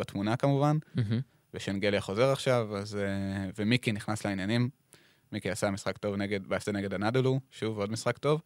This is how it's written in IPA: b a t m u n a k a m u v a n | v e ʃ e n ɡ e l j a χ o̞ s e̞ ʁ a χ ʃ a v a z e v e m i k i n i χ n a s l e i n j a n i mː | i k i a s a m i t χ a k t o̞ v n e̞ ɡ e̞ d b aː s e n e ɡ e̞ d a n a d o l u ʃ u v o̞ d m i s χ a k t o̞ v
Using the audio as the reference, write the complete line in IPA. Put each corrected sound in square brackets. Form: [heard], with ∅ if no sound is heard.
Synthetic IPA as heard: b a t m u n a k a m u v a n | v e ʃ e n ɡ e l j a χ o̞ [z] e̞ ʁ a χ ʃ a v a z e v e m i k i n i χ n a s l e i n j a n i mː | i k i a s a m i [s] χ a k t o̞ v n e̞ ɡ e̞ d b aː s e n e ɡ e̞ d a n a d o l u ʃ u v o̞ d m i s χ a k t o̞ v